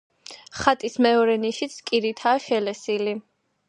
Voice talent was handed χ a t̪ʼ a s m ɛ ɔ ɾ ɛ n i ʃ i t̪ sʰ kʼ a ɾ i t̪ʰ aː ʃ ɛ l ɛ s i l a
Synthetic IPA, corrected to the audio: χ a t̪ʼ i s m ɛ ɔ ɾ ɛ n i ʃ i t̪ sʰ kʼ i ɾ i t̪ʰ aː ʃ ɛ l ɛ s i l i